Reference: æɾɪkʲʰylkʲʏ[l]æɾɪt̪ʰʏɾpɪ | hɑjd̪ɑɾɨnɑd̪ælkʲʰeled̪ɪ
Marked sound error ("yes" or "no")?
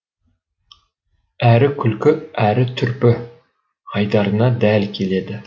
yes